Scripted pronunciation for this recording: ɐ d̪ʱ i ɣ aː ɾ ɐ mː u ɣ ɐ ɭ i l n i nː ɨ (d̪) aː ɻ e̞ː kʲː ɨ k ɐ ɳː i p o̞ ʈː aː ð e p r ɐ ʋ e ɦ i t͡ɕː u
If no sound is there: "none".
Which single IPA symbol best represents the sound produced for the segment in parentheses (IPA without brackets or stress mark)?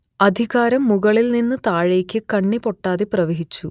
t̪